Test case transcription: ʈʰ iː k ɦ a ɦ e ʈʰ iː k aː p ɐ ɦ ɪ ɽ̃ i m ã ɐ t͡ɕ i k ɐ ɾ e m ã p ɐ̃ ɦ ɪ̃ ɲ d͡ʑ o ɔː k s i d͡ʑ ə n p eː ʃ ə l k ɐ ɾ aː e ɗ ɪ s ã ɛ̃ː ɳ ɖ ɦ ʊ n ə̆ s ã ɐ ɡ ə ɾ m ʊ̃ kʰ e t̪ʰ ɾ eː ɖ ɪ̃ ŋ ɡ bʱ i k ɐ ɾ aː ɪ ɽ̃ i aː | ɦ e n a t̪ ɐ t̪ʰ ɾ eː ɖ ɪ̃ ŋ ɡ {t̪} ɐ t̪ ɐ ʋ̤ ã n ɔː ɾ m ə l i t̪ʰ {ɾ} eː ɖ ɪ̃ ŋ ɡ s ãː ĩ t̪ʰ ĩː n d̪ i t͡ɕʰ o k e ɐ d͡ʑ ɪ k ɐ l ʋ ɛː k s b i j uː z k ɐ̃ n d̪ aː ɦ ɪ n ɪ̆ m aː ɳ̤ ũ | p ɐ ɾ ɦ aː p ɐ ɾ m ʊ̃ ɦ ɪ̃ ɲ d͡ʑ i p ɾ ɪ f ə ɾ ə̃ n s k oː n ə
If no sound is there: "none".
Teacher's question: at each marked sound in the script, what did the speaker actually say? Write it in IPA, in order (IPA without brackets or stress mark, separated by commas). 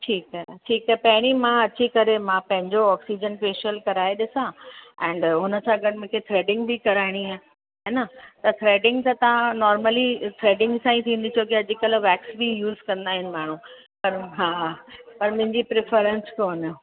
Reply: t̪, ɾ